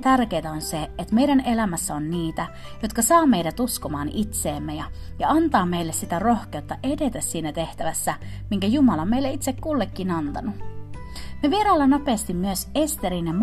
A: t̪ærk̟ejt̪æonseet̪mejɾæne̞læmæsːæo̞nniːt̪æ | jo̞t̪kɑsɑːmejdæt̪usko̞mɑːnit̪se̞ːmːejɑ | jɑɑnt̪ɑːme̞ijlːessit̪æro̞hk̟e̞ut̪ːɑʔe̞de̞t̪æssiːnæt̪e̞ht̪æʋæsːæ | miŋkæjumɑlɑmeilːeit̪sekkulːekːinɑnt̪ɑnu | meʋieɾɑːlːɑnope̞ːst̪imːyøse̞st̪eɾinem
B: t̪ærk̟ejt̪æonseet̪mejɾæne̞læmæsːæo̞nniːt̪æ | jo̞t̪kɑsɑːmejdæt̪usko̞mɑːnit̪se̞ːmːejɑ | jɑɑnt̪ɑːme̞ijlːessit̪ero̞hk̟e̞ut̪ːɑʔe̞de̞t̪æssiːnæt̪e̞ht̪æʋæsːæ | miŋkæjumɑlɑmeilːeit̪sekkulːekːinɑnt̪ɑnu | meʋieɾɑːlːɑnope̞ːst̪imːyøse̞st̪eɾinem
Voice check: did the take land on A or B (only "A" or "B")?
A